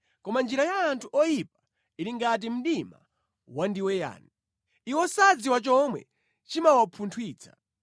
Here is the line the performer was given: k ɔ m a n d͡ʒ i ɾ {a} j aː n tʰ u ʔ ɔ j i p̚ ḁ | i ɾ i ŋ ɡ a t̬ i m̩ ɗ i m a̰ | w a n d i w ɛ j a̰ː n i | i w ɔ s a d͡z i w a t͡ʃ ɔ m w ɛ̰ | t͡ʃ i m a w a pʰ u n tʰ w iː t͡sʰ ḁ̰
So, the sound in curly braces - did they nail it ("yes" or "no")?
yes